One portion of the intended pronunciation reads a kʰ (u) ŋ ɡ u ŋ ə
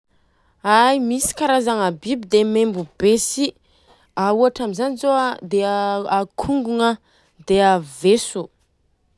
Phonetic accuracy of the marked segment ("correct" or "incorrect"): correct